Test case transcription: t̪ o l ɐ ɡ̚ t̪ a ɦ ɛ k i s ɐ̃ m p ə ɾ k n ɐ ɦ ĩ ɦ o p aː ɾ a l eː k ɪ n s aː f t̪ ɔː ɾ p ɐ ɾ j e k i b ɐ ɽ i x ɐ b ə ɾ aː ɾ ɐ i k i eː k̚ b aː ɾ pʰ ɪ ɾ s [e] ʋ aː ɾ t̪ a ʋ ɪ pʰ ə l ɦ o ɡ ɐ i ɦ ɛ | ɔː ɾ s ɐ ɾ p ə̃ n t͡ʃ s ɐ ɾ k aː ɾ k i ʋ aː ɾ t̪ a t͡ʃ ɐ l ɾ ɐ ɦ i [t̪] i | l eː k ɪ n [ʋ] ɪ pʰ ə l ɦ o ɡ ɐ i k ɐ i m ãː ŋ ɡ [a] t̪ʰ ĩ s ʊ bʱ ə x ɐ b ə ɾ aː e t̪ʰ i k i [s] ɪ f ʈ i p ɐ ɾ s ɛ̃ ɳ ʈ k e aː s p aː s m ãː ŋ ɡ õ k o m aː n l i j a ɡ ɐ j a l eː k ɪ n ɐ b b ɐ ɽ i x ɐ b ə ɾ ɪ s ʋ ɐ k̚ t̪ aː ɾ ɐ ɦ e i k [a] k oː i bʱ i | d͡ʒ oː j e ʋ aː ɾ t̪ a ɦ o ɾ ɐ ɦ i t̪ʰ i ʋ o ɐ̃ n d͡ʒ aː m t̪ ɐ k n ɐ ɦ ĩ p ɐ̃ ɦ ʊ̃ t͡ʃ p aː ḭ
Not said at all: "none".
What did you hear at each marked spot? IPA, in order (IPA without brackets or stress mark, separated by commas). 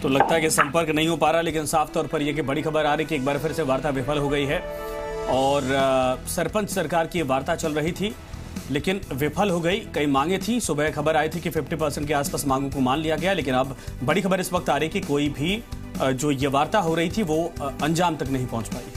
e, t̪ʰ, ʋ, e, f, i